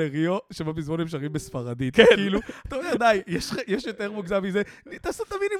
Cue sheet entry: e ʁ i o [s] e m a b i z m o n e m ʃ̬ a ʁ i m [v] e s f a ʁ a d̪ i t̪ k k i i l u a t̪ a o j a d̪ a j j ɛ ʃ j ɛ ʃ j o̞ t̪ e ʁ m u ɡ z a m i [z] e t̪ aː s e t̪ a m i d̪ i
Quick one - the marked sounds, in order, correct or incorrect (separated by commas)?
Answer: incorrect, incorrect, correct